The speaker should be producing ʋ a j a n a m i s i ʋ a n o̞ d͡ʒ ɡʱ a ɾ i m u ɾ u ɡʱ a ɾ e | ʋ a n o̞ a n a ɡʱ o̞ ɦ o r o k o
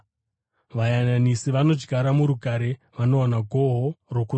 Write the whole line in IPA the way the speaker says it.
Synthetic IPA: ʋ a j a n a n i s i ʋ a n o̞ d͡ʒ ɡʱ a ɾ a m u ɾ u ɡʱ a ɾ e | ʋ a n o̞ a n a ɡʱ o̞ ɦ o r o k u